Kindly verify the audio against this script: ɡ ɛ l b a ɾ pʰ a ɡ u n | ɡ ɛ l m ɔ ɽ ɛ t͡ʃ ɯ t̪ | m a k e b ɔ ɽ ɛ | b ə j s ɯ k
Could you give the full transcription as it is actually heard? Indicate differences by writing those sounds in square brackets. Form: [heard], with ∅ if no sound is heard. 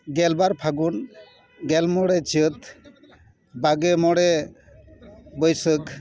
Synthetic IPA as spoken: ɡ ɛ l b a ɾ pʰ a ɡ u n | ɡ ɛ l m ɔ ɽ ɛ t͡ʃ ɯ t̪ | [b] a [ɡ] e [m] ɔ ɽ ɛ | b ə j s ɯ k